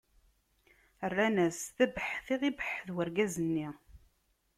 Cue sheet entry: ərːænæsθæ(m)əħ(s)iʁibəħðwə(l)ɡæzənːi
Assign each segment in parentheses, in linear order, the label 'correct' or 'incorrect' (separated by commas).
incorrect, incorrect, incorrect